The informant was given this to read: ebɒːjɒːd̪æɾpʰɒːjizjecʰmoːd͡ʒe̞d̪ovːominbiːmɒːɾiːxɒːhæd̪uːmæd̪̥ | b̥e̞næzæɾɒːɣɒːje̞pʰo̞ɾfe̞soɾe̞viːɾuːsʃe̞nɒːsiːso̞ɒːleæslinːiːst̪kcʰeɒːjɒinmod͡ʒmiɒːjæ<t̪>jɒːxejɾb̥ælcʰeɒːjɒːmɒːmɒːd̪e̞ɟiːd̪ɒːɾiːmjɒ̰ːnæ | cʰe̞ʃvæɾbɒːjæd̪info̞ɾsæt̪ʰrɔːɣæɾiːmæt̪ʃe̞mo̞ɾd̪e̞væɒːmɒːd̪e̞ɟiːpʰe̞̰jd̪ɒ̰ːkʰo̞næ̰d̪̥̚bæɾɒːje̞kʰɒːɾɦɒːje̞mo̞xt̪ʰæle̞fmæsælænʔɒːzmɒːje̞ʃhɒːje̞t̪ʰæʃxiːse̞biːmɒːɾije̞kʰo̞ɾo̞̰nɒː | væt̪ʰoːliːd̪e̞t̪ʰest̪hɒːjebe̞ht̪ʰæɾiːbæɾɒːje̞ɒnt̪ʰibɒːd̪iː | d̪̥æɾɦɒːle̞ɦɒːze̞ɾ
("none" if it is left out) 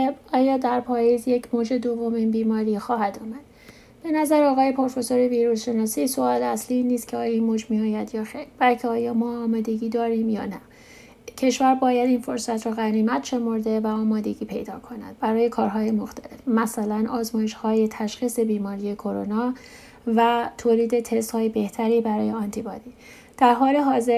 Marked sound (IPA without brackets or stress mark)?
d̪